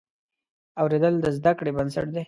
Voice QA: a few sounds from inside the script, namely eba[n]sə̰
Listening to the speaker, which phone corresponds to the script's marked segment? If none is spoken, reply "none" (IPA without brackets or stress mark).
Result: n